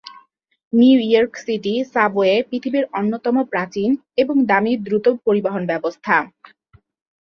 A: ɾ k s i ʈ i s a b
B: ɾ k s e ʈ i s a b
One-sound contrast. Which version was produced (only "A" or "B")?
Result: A